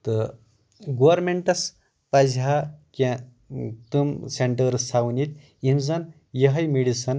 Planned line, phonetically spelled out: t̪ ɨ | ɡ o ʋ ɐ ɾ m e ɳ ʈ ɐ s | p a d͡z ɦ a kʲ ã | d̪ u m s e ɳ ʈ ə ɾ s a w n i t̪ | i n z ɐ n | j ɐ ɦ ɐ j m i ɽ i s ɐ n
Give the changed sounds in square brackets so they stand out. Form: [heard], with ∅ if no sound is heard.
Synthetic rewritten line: t̪ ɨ | ɡ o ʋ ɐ ɾ m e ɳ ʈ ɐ s | p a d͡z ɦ a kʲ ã | [t̪] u m s e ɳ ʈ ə ɾ s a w n i t̪ | i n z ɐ n | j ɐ ɦ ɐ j m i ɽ i s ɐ n